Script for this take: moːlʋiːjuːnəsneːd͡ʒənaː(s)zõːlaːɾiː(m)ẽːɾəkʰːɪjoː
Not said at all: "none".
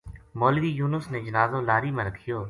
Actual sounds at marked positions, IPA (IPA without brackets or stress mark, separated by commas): none, m